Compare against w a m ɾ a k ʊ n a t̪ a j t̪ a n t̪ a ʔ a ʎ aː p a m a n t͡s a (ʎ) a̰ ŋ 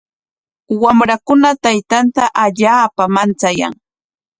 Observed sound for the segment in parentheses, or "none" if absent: j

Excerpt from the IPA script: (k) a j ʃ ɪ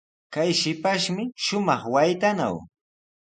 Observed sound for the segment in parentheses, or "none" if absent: k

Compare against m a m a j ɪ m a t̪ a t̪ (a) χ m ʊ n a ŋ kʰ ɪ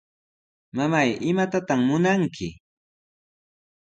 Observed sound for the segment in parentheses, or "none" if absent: a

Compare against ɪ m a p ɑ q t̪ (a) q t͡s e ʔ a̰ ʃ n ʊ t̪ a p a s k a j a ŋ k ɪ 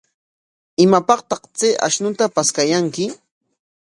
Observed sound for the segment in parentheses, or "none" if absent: ɑ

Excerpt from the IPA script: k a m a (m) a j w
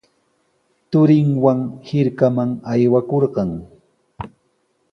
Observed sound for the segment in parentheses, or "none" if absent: ŋ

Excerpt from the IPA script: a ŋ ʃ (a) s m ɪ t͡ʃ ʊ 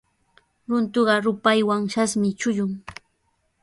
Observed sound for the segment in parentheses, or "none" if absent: a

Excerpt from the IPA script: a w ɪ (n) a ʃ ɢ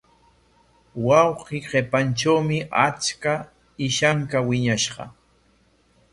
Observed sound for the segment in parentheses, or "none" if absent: ɲ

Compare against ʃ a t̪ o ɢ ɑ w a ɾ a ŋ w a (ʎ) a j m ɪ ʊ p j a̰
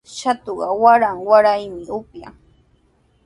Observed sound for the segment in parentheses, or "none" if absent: ɾ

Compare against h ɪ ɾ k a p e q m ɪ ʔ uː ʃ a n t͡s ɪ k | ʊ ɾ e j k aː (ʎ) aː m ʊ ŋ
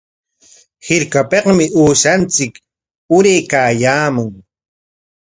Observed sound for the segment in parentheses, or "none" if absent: j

